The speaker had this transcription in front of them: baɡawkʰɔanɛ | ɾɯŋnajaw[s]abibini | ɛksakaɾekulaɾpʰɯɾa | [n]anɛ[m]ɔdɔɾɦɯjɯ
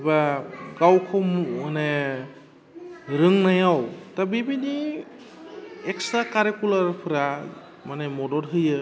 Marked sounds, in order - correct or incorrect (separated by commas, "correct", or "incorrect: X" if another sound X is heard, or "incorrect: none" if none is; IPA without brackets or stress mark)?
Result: incorrect: t, incorrect: m, correct